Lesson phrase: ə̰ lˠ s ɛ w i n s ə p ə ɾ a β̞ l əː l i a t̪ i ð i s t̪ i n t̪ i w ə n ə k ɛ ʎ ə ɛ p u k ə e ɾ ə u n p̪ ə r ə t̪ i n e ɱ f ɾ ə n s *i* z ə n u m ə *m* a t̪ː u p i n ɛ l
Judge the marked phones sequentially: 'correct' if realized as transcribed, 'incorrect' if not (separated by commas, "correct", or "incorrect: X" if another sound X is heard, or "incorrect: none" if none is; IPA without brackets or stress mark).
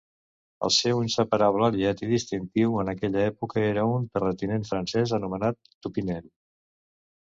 incorrect: ɛ, incorrect: n